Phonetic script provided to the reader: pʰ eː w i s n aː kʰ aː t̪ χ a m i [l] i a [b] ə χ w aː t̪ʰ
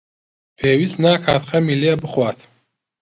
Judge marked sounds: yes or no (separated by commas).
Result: yes, yes